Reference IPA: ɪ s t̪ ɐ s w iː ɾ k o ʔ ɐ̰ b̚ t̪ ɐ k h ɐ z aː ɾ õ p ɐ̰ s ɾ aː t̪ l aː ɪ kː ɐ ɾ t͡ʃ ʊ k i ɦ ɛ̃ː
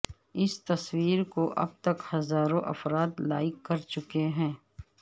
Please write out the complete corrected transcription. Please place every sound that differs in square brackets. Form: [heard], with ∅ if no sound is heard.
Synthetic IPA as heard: ɪ s t̪ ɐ s w iː ɾ k o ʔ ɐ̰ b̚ t̪ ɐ k h ɐ z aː ɾ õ [ʔ] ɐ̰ [f] ɾ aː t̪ l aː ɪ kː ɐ ɾ t͡ʃ ʊ k [e] ɦ ɛ̃ː